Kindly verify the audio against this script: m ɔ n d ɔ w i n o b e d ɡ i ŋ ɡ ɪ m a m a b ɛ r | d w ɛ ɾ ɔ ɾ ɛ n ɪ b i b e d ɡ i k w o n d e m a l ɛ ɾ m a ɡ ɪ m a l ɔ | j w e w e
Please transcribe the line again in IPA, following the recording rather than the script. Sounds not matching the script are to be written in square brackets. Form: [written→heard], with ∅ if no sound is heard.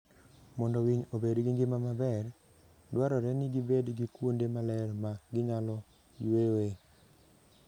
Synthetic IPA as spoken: m ɔ n d ɔ w i [n→ɲ] o b e d ɡ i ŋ ɡ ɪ m a m a b ɛ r | d w [ɛ→a] ɾ ɔ ɾ ɛ n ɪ [b→ɡ] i b e d ɡ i k w o n d e m a l ɛ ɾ m a ɡ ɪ [m→ɲ] a l ɔ | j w e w e